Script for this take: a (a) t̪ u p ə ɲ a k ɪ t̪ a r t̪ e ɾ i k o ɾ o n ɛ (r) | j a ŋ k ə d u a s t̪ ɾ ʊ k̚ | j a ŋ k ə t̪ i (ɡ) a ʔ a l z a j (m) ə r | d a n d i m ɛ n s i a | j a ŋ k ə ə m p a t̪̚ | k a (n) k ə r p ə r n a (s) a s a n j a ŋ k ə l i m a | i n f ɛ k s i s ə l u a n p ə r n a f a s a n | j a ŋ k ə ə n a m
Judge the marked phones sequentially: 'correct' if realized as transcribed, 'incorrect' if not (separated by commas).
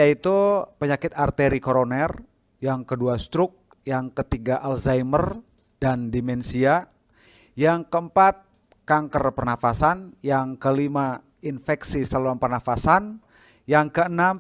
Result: incorrect, correct, correct, correct, incorrect, incorrect